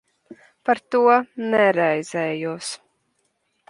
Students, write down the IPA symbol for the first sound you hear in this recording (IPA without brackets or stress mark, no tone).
p